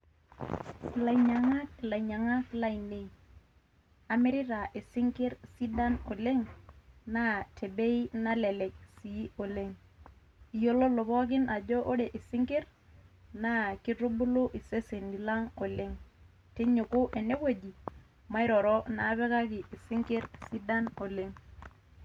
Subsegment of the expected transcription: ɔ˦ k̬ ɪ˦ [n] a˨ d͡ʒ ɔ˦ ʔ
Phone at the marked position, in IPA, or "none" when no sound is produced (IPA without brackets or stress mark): n